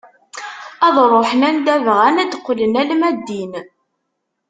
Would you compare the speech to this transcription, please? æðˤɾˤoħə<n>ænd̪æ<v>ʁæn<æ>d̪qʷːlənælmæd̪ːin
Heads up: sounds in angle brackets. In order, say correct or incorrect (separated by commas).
correct, correct, correct